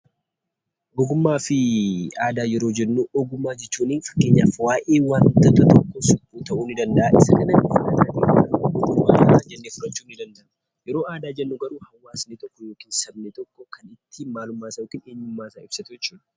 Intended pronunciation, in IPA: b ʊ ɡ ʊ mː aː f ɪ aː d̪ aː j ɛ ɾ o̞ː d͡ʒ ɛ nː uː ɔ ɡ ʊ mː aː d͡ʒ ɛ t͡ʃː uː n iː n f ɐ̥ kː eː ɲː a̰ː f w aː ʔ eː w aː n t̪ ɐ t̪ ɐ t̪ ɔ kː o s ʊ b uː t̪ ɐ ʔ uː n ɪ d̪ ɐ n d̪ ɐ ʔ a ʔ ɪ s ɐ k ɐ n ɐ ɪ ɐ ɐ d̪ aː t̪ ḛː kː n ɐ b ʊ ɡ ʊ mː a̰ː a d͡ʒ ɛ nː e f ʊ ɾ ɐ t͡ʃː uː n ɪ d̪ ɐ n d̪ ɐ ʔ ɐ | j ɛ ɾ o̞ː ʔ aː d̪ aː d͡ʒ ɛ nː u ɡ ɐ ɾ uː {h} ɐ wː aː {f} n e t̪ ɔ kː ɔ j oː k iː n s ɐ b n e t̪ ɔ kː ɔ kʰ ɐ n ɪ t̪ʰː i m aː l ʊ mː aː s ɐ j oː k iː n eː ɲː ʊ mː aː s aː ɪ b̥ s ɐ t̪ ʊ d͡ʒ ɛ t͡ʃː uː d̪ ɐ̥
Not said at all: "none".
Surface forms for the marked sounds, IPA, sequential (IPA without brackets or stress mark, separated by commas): h, s